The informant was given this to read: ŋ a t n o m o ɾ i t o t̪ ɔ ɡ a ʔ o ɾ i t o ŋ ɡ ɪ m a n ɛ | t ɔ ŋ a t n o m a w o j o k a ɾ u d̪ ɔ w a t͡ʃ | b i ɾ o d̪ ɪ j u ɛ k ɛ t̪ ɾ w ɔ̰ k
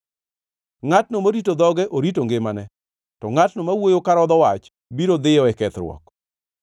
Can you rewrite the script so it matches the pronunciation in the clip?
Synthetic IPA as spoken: ŋ a t n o m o ɾ i t o d̪ ɔ ɡ ɛ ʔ o ɾ i t o ŋ ɡ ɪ m a n ɛ | t ɔ ŋ a t n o m a w o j o k a ɾ ɔ d̪ ɔ w a t͡ʃ | b i ɾ o d̪ ɪ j ɔ ɛ k ɛ t̪ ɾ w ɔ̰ k